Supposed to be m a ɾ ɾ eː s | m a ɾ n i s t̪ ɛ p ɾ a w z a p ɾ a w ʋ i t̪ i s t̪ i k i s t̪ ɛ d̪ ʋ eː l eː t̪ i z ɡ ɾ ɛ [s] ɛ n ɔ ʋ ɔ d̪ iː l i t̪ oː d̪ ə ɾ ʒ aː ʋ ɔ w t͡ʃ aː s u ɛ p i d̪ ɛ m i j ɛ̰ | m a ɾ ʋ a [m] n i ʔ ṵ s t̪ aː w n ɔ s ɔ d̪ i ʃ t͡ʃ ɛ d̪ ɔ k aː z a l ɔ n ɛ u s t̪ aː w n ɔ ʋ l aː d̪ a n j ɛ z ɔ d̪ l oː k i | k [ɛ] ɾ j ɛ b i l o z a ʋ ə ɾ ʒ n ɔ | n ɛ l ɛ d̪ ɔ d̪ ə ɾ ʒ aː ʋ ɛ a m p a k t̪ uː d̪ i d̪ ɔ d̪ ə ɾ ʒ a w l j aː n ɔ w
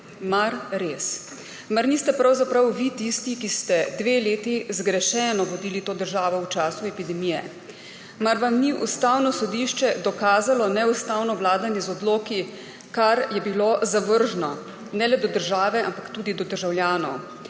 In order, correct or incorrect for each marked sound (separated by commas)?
incorrect, correct, incorrect